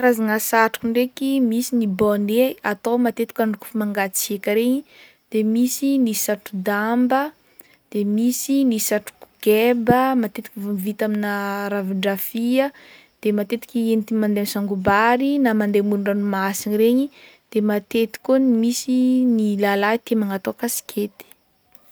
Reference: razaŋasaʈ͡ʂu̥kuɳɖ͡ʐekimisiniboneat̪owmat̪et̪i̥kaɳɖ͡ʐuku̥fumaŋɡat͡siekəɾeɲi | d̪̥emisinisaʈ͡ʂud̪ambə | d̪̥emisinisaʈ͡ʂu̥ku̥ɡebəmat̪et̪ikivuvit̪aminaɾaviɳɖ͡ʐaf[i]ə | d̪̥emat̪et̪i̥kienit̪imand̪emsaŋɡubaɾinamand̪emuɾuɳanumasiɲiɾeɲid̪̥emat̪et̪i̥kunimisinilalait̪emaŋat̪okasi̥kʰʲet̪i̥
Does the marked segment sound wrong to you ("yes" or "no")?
no